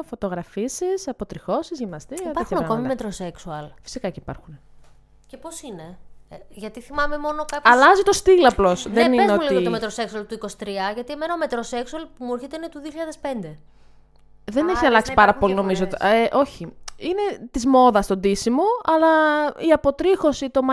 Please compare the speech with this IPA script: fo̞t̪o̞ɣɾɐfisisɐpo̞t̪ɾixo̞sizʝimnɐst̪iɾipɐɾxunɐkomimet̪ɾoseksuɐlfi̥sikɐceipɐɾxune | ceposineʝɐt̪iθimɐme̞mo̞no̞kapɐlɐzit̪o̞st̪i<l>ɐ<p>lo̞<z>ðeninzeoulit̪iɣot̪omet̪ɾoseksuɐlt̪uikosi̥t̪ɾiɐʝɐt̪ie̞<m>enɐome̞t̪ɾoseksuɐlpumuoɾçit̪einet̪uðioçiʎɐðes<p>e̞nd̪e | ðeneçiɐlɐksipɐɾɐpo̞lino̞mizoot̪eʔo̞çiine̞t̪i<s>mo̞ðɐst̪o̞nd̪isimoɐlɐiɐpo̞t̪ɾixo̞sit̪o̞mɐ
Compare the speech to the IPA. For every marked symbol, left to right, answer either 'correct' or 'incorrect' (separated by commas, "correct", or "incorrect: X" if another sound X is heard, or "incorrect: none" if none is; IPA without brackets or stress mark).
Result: correct, correct, incorrect: s, correct, correct, incorrect: z